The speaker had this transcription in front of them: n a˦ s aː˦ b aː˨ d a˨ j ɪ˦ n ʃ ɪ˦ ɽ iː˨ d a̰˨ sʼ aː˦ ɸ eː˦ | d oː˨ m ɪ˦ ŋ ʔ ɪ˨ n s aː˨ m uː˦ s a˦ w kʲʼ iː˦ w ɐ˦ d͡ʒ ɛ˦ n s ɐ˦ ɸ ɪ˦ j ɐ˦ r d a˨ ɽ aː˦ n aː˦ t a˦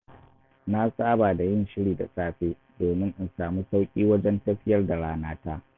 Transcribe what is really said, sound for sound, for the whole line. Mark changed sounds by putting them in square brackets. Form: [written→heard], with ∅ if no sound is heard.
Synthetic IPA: n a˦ s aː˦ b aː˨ d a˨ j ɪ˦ n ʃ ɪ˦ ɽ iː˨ d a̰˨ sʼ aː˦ ɸ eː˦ | d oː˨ m ɪ˦ ŋ ʔ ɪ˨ n s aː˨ m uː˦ s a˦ w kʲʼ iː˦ w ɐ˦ d͡ʒ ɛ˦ n [s→t] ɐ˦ ɸ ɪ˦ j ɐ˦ r d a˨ ɽ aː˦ n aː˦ t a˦